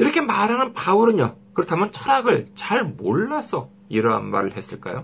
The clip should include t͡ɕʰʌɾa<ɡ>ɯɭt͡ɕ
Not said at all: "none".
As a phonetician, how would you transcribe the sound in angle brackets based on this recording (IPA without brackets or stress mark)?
ɡ